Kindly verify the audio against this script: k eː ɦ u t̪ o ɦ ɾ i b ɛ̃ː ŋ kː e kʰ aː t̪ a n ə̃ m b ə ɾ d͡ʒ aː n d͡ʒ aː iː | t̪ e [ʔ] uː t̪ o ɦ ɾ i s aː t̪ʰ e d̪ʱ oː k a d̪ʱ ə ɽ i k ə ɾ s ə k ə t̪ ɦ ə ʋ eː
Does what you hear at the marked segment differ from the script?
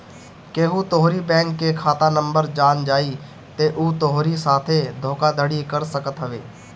no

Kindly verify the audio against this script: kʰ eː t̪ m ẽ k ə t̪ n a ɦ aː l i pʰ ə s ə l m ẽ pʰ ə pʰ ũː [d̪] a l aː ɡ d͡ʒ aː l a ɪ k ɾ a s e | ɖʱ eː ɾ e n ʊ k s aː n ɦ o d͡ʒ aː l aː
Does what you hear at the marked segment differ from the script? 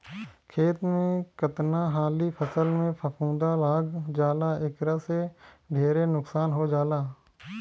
no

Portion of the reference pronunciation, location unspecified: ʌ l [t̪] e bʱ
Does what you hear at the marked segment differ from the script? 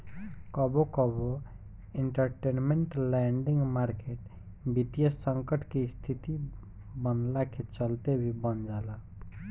no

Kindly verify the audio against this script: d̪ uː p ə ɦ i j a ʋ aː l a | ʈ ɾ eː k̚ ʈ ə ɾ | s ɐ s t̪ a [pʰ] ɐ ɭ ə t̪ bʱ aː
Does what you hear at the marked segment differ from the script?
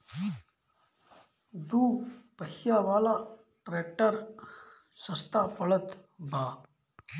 yes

